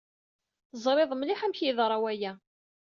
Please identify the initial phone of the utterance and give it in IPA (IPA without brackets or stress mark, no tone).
θ